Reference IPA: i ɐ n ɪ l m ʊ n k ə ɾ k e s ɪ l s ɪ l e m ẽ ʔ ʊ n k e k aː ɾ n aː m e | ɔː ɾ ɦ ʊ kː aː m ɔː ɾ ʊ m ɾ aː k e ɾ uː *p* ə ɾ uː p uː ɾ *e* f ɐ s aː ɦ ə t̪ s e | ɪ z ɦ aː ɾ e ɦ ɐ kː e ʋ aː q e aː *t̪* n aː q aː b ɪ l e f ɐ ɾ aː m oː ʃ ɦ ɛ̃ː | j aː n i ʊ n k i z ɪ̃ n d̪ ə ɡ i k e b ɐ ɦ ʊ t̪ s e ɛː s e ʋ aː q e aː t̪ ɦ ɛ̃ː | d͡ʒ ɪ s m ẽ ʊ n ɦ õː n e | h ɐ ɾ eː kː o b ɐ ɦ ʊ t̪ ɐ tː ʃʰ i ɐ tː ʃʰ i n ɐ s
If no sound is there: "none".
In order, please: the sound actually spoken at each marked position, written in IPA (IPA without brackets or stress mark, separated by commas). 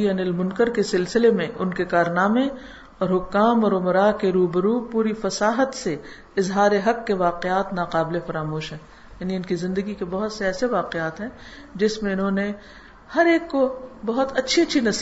b, i, t̪